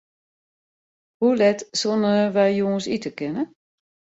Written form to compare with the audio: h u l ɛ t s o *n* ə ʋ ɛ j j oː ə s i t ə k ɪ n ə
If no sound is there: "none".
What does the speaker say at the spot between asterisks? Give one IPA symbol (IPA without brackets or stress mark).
n